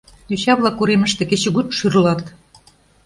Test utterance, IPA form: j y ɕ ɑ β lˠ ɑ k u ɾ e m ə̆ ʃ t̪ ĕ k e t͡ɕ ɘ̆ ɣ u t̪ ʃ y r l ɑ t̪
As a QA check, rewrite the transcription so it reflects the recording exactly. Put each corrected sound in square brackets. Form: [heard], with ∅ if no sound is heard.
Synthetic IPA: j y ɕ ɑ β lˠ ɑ k u ɾ e m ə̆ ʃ t̪ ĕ k e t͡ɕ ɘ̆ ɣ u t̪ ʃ y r l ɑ t̪